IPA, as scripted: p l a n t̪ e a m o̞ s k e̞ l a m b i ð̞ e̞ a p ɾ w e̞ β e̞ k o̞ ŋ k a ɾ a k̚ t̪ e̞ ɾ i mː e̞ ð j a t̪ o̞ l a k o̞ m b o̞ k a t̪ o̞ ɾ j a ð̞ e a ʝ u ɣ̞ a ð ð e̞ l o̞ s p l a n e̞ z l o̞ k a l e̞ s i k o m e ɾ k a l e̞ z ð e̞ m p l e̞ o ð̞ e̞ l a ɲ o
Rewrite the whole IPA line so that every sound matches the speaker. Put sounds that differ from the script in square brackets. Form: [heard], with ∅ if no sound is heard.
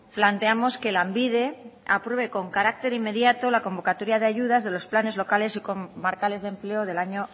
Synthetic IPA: p l a n t̪ e a m o̞ s k e̞ l a m b i ð̞ e̞ a p ɾ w e̞ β e̞ k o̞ ŋ k a ɾ a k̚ t̪ e̞ ɾ i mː e̞ ð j a t̪ o̞ l a k o̞ m b o̞ k a t̪ o̞ ɾ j a ð̞ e a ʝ u [ð̞] a [z] ð e̞ l o̞ s p l a n e̞ z l o̞ k a l e̞ s i k o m [a] ɾ k a l e̞ z ð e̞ m p l e̞ o ð̞ e̞ l a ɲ o